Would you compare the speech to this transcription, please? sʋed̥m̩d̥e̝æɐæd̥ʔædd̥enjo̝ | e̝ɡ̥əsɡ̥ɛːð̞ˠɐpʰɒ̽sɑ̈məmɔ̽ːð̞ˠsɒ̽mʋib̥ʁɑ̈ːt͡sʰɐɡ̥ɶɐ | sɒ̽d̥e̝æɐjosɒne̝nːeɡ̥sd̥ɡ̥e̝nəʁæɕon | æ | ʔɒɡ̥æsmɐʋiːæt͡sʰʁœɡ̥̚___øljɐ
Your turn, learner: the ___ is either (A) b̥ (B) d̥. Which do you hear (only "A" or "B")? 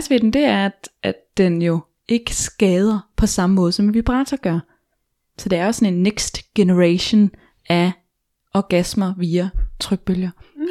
A